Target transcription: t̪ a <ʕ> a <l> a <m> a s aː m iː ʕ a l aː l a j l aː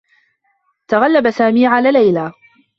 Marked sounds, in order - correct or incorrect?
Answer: incorrect, incorrect, incorrect

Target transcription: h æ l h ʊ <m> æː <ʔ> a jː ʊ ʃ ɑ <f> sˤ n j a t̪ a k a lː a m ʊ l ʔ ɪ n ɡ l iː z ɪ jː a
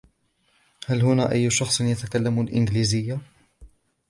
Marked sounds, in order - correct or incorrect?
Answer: incorrect, correct, incorrect

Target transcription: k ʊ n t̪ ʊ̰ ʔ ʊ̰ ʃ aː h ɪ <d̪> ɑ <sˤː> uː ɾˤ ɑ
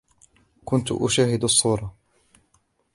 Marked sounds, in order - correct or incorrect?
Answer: correct, correct

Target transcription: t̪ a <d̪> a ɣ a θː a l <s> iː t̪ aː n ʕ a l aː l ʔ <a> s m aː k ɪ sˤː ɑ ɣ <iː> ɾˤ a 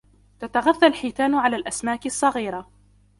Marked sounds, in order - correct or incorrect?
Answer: incorrect, incorrect, correct, correct

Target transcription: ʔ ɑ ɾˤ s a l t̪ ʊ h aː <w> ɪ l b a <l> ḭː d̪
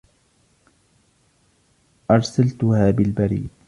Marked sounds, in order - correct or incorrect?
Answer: incorrect, incorrect

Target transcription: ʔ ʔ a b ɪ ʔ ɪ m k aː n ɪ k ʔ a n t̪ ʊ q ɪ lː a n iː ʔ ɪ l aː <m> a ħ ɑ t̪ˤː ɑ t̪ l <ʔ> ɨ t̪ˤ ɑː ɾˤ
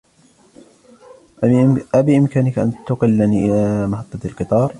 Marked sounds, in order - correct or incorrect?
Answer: correct, incorrect

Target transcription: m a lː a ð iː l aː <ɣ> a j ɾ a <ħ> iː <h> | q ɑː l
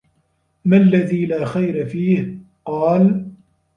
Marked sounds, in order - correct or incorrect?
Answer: incorrect, incorrect, correct

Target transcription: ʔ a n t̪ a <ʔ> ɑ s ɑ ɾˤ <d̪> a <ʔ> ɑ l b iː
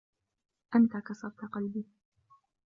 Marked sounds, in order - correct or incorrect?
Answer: incorrect, incorrect, incorrect

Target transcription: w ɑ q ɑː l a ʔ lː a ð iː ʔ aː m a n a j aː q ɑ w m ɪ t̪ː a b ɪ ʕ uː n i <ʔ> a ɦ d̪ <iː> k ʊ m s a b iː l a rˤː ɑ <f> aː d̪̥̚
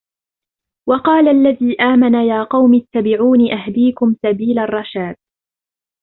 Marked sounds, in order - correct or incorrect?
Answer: correct, correct, incorrect

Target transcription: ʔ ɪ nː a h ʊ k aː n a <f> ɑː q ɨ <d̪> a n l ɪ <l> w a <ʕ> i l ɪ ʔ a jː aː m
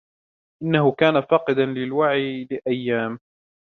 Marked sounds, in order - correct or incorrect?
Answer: correct, correct, correct, correct

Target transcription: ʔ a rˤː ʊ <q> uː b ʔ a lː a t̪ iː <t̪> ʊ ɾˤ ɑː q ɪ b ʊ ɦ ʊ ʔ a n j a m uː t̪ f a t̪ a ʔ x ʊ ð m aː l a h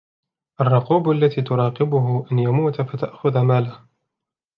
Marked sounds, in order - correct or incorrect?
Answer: correct, correct

